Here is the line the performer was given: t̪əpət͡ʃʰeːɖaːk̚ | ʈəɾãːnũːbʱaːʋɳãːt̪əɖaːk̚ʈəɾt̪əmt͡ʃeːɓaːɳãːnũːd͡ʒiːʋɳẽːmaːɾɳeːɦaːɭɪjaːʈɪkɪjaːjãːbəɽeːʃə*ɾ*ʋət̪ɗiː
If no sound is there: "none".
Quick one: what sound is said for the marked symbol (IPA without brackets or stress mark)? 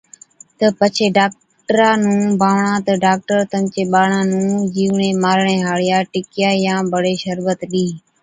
ɾ